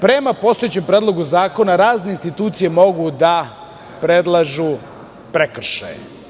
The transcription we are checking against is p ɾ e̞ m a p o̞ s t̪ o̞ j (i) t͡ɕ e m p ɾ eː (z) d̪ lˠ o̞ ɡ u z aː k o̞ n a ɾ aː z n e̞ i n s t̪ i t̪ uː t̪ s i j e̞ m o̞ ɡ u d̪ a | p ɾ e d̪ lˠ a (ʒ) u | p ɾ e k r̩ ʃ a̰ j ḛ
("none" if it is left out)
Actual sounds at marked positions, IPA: e, none, ʒ

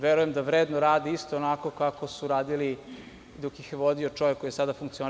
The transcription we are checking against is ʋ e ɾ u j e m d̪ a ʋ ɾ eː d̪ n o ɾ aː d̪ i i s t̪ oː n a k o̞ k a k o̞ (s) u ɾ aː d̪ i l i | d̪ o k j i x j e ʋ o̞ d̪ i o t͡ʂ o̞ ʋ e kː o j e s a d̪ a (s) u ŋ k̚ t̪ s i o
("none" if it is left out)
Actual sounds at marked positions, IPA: s, f

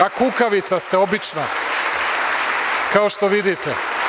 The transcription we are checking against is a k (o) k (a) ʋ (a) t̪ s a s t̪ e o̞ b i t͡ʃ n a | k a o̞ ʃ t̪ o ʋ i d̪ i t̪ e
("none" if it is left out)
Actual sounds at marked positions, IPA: u, a, i

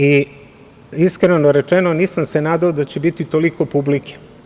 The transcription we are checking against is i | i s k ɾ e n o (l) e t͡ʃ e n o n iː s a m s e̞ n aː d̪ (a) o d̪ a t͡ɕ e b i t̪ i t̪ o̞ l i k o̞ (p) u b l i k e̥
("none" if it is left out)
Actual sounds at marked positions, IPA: ɾ, a, p

